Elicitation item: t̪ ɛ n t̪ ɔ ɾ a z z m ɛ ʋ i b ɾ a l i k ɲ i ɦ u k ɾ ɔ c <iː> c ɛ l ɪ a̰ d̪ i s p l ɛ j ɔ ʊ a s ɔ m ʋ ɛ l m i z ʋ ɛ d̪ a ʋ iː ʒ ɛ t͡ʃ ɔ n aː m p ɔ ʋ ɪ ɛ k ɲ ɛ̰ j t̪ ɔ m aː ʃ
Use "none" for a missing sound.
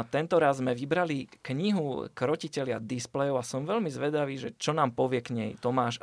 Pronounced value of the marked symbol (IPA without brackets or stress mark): i